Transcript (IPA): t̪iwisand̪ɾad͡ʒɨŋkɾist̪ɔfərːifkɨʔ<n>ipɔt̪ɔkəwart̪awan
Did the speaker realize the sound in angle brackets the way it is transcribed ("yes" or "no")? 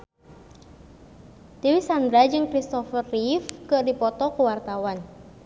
no